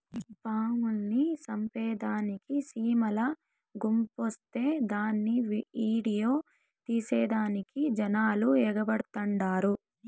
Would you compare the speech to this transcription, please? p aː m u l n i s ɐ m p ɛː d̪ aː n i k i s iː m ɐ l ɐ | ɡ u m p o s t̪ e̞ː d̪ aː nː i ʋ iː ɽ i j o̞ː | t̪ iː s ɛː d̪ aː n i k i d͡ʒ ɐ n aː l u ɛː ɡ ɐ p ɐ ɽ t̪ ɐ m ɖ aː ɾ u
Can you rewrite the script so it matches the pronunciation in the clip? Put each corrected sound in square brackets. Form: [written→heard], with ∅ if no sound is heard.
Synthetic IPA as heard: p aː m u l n i s ɐ m p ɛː d̪ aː n i k i s iː m ɐ l ɐ | ɡ u m p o s t̪ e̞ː d̪ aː nː i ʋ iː ɽ i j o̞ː | t̪ iː s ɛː d̪ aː n i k i d͡ʒ ɐ n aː l u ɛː ɡ ɐ [p→b] ɐ ɽ t̪ ɐ [m→ɳ] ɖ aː ɾ u